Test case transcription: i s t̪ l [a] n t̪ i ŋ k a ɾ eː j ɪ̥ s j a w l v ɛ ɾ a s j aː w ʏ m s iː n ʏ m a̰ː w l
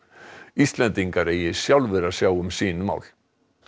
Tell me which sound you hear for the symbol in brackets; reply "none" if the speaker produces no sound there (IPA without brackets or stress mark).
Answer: ɛ